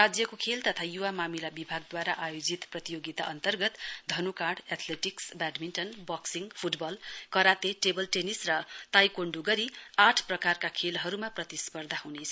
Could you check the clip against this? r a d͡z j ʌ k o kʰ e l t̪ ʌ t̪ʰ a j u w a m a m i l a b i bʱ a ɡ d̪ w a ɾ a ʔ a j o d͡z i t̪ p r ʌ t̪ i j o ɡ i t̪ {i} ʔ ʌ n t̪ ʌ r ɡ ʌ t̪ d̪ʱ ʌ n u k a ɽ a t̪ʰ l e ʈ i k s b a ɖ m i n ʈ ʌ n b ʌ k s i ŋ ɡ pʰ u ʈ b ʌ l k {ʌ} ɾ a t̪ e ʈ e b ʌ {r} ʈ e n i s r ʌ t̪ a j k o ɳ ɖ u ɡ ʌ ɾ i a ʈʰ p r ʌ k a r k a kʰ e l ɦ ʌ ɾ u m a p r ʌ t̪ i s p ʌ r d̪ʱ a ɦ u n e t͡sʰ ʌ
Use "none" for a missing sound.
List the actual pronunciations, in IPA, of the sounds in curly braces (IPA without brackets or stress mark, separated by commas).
a, ʌ, l